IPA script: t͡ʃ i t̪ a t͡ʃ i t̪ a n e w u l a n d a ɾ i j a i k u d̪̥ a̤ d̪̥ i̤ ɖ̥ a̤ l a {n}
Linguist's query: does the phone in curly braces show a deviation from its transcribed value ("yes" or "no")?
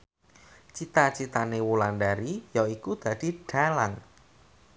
yes